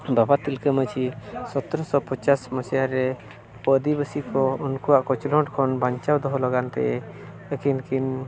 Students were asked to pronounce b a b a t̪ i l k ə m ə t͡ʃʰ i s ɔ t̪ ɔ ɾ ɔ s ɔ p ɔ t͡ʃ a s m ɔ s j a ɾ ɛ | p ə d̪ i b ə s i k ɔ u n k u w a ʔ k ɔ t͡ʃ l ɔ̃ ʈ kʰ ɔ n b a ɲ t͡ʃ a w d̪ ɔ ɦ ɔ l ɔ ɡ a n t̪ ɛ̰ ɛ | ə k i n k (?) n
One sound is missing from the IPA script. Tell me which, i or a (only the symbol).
i